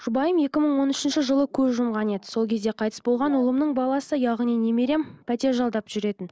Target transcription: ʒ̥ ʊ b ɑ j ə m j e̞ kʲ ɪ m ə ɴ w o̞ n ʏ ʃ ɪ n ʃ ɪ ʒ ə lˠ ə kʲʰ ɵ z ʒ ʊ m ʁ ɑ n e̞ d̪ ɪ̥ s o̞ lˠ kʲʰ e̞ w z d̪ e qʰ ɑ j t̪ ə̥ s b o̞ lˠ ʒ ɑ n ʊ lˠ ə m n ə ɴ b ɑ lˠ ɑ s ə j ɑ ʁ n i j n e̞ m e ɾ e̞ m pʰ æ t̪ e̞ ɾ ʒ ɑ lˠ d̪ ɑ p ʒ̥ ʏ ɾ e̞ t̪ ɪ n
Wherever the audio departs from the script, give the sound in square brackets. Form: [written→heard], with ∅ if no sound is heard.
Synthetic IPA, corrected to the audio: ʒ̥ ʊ b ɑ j ə m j e̞ kʲ ɪ m ə ɴ w o̞ n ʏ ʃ ɪ n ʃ ɪ ʒ ə lˠ ə kʲʰ ɵ z ʒ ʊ m ʁ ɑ n e̞ d̪ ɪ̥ s o̞ lˠ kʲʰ e̞ [w→∅] z d̪ e qʰ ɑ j t̪ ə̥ s b o̞ lˠ [ʒ→ʁ] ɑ n ʊ lˠ ə m n ə ɴ b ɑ lˠ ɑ s ə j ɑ ʁ n i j n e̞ m e ɾ e̞ m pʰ æ t̪ e̞ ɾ ʒ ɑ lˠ d̪ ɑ p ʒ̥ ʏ ɾ e̞ t̪ ɪ n